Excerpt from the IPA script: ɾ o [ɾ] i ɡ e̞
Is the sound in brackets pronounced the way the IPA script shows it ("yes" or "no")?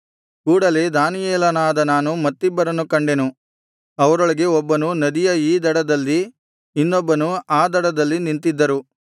no